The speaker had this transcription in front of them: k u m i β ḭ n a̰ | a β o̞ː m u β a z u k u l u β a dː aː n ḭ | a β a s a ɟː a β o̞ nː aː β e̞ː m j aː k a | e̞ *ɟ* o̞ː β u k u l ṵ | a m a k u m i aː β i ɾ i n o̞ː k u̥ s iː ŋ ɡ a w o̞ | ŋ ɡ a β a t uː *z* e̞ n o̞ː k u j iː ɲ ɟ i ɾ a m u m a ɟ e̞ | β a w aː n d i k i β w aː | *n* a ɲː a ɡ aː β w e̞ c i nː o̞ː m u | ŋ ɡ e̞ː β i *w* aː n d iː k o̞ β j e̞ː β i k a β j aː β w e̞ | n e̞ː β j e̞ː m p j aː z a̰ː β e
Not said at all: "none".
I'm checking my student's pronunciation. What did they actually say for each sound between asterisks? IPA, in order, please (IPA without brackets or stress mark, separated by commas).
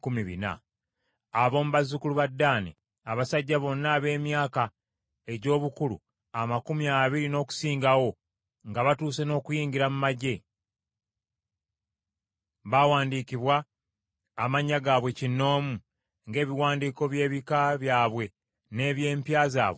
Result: ɟ, s, m, w